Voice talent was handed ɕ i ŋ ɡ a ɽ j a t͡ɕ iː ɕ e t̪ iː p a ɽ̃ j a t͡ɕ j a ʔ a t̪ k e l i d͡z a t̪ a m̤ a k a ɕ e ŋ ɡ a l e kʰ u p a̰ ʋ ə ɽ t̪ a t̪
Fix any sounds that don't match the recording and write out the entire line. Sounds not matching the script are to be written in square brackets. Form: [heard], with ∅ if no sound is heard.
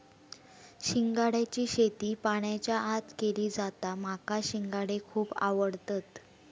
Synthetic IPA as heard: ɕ i ŋ ɡ a ɽ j a t͡ɕ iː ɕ e t̪ iː p a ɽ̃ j a t͡ɕ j a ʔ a t̪ k e l [iː] d͡z a t̪ a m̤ a k a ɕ [i] ŋ ɡ a [ɽ] e kʰ [uː] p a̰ ʋ ə ɽ t̪ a t̪

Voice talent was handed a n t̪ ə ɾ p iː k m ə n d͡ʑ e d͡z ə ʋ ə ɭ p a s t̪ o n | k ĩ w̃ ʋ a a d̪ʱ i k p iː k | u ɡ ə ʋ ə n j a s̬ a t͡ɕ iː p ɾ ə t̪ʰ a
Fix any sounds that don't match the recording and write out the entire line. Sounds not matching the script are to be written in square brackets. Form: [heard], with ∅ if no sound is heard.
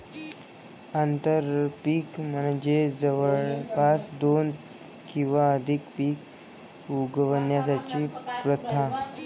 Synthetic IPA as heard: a n t̪ ə ɾ p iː k m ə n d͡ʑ e d͡z ə ʋ ə ɭ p a s [d̪] o n | k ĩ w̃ ʋ a [ə] d̪ʱ i k p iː k | u ɡ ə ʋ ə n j a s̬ a t͡ɕ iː p ɾ ə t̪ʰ a

